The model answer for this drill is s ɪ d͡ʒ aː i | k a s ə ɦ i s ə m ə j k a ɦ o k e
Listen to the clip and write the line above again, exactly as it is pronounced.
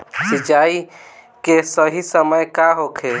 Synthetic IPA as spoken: s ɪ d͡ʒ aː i | k e s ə ɦ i s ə m ə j k a ɦ o kʰ e